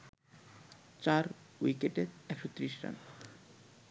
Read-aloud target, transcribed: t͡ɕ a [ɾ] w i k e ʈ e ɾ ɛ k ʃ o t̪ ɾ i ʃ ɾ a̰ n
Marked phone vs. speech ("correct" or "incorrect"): correct